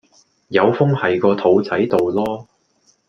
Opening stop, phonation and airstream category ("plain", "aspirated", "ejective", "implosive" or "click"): plain